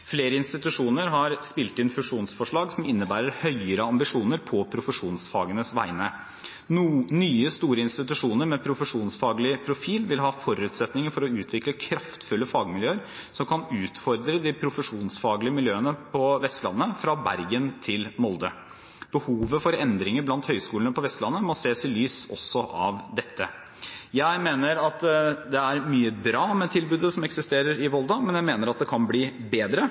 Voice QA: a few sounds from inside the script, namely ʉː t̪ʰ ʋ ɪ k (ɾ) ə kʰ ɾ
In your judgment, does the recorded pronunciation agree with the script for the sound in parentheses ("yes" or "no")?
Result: no